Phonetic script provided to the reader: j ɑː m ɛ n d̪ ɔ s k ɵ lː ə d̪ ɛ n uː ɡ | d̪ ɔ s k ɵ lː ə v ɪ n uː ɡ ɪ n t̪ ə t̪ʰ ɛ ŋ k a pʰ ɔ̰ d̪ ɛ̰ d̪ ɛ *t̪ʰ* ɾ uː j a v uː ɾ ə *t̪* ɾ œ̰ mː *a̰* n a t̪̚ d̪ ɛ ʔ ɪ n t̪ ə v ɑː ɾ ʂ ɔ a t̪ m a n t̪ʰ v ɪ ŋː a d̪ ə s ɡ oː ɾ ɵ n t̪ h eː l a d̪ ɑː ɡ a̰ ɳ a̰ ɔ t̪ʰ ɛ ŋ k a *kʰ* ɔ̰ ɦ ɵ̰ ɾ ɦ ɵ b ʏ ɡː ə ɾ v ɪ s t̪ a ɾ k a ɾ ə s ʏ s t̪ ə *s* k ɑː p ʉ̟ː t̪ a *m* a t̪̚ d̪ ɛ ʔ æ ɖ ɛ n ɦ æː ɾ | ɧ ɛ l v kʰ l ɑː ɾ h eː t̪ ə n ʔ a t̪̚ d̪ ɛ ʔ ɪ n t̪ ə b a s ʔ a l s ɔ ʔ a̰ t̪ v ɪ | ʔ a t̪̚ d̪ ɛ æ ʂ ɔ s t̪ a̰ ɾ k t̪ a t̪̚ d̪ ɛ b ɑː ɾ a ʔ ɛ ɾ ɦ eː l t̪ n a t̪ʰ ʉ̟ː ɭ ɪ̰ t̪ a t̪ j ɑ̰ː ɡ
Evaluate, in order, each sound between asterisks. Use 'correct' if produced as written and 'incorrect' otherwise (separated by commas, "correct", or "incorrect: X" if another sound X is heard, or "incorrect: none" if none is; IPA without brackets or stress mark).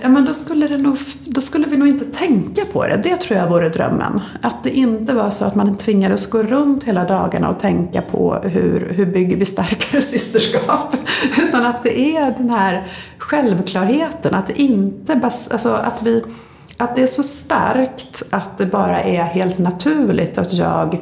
correct, incorrect: d̪, incorrect: ə̰, incorrect: pʰ, incorrect: ʂ, incorrect: n